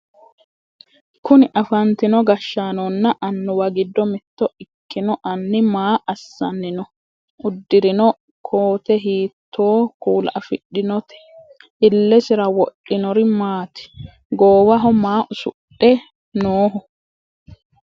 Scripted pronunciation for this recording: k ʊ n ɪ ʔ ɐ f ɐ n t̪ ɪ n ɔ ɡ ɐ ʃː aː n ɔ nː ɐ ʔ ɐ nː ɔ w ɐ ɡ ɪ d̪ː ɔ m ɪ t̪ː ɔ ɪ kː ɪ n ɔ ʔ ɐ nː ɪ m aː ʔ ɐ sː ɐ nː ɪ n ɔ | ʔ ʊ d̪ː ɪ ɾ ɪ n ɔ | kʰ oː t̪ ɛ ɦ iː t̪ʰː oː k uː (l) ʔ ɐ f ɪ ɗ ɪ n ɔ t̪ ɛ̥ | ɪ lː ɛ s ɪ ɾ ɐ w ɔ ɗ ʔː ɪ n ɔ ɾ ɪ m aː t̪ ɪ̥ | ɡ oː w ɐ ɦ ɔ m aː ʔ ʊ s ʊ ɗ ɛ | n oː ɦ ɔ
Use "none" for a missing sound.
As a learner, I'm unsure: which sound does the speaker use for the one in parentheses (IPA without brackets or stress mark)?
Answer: l